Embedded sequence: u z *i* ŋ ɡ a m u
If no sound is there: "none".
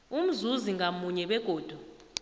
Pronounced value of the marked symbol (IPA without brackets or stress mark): i